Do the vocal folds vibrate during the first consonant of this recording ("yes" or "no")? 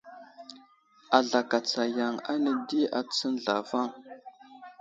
yes